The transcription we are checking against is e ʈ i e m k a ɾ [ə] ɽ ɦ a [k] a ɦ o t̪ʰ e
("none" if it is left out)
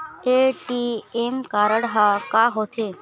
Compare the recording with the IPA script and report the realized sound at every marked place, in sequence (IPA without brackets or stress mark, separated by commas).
ə, k